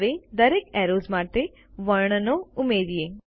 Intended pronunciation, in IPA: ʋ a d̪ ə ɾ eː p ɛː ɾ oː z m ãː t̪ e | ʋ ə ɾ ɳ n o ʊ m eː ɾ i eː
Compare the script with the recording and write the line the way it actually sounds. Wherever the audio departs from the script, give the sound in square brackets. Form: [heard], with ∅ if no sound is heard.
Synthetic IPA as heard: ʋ [e] d̪ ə ɾ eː [k] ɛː ɾ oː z m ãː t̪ e | ʋ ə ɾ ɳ n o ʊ m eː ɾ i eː